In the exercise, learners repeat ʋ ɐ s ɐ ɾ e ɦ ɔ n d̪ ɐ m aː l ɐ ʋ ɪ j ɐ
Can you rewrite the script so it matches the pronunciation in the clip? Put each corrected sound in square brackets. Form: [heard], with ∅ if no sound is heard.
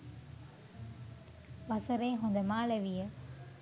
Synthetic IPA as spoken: ʋ ɐ s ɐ ɾ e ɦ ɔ n d̪ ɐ m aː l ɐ ʋ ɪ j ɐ